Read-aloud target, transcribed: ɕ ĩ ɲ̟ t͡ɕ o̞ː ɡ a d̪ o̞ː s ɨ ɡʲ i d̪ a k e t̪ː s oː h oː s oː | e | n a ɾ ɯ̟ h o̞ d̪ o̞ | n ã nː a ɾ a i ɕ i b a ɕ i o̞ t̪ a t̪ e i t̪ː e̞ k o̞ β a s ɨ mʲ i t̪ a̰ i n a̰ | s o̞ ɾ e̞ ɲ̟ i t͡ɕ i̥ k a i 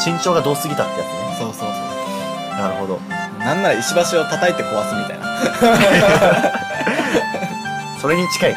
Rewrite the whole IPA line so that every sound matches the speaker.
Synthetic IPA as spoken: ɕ ĩ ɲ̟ t͡ɕ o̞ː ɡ a d̪ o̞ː s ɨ ɡʲ i t̪ a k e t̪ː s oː s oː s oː | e | n a ɾ ɯ̟ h o̞ d̪ o̞ | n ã nː a ɾ a i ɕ i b a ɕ i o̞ t̪ a t̪ a i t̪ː e̞ k o̞ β a s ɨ mʲ i t̪ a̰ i n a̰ | s o̞ ɾ e̞ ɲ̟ i t͡ɕ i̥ k a i